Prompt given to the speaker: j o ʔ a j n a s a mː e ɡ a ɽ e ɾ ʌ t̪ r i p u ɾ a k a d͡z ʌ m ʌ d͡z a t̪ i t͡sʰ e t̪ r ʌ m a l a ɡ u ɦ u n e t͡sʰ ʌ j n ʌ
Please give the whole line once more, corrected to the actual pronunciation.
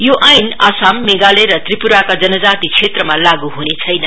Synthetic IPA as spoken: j o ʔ a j n a s a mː e ɡ a l e ɾ ʌ t̪ r i p u ɾ a k a d͡z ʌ n ʌ d͡z a t̪ i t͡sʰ e t̪ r ʌ m a l a ɡ u ɦ u n e t͡sʰ ʌ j n ʌ